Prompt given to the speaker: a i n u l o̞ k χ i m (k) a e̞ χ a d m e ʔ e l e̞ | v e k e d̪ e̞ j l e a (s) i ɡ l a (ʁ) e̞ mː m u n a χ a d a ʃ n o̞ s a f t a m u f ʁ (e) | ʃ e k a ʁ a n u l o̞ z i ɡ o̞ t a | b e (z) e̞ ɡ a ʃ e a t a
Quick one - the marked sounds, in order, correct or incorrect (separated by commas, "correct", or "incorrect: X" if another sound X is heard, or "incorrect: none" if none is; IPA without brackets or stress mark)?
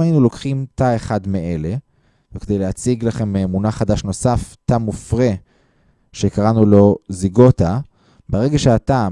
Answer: incorrect: t, incorrect: t͡s, incorrect: χ, correct, incorrect: ʁ